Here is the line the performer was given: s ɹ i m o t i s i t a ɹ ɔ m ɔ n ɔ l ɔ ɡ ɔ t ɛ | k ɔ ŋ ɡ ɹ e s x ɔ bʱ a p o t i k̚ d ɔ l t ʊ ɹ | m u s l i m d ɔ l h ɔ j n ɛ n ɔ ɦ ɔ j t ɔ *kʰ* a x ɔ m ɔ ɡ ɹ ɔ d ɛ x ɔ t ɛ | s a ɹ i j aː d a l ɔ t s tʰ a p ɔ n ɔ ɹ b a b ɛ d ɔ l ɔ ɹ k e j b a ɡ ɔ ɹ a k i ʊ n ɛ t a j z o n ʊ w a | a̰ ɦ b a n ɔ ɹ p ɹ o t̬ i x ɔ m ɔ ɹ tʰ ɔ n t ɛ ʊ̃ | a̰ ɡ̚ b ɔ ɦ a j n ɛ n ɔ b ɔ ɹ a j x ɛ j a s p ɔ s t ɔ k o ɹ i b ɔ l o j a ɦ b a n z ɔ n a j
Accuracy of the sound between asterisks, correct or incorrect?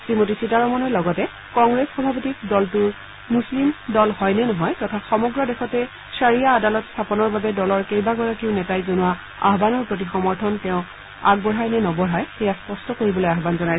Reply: incorrect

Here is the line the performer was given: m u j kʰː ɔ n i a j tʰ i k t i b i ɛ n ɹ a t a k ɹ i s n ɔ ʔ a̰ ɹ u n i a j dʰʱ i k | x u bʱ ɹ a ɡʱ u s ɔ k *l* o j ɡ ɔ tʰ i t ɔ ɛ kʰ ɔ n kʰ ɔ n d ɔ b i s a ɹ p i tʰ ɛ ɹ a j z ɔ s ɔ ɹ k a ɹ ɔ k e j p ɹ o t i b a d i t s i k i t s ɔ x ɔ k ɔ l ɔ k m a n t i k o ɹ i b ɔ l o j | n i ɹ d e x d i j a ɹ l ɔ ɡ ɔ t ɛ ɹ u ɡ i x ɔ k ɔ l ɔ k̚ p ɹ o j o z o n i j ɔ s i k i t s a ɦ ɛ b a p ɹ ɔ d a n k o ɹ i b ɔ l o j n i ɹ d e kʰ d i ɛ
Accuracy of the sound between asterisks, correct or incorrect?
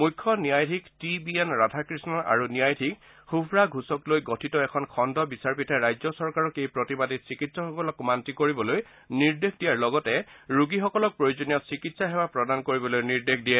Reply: correct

